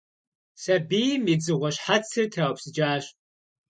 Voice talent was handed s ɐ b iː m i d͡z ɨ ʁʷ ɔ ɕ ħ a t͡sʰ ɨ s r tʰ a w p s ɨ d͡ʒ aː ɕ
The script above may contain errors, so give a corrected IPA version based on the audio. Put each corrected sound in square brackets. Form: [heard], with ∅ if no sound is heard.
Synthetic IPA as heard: s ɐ b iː m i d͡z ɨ ʁʷ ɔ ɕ ħ a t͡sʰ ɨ [∅] r tʰ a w p s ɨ d͡ʒ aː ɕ